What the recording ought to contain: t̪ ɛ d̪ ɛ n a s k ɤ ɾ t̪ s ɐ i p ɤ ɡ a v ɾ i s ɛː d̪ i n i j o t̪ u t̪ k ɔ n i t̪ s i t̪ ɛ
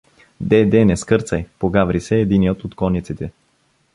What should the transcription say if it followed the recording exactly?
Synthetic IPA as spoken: d̪ ɛ d̪ ɛ n ɛ s k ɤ ɾ t̪ s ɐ j p o ɡ a v ɾ i s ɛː d̪ i n i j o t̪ o t̪ k ɔ n i t̪ s i t̪ ɛ